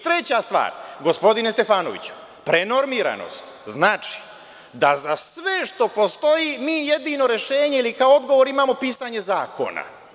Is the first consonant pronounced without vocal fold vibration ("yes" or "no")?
yes